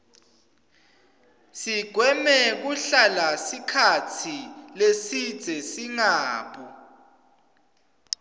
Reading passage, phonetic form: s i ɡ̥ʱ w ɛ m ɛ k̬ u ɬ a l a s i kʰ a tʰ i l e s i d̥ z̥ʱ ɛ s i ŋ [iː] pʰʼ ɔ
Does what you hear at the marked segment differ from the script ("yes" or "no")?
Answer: yes